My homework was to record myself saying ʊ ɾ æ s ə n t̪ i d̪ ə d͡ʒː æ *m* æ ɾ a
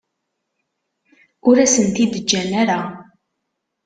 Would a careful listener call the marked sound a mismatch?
yes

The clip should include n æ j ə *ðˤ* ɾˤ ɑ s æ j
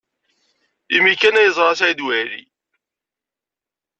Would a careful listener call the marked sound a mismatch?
yes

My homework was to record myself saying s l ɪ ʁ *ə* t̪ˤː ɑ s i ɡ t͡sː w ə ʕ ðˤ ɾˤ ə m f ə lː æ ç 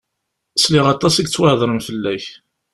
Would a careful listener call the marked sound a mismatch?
yes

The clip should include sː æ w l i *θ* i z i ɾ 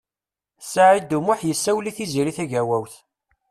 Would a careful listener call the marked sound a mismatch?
no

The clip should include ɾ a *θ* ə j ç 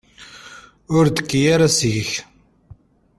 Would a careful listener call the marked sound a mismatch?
yes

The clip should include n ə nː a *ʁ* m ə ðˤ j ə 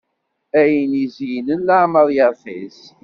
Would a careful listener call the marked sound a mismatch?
yes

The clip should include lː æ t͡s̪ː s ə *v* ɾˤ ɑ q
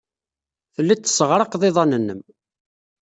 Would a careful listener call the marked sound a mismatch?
yes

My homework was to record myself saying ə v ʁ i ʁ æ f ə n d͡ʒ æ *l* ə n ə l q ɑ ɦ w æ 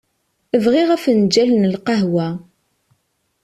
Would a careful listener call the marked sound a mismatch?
no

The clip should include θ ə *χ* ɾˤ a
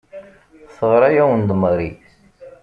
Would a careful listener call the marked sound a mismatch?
yes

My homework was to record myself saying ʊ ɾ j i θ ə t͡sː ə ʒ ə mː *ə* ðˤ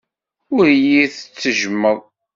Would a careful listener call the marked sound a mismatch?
no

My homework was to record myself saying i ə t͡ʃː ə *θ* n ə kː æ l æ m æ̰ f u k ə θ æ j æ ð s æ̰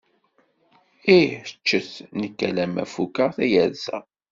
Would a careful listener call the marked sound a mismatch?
no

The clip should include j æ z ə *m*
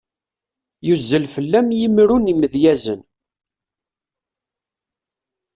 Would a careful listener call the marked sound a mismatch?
yes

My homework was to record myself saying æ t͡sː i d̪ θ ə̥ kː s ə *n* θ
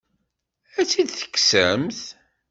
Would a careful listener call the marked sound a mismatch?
yes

